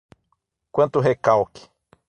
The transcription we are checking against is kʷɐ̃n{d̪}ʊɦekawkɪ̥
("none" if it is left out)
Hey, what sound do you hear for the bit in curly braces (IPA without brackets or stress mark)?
t̪